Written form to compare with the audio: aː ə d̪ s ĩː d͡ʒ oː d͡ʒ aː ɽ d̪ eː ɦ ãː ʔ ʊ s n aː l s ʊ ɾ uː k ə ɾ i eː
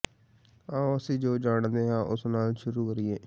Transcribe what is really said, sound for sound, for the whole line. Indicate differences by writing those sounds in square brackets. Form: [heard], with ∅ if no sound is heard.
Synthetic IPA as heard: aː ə [∅] s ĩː d͡ʒ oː d͡ʒ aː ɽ d̪ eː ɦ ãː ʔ ʊ s n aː l [ʃ] ʊ ɾ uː k ə ɾ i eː